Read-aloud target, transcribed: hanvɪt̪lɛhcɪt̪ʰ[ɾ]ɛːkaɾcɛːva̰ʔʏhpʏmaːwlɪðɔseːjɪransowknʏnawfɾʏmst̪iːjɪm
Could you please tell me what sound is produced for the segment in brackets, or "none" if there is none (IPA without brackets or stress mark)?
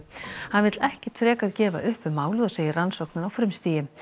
ɾ